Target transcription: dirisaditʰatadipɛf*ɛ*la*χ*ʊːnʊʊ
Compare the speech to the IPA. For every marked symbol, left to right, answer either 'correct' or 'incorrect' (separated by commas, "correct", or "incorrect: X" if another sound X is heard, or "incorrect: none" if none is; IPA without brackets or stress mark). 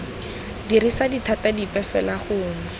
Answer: correct, correct